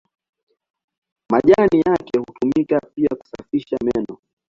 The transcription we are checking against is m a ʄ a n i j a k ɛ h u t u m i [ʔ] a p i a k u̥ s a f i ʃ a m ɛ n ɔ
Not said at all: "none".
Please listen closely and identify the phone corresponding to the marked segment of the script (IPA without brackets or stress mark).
k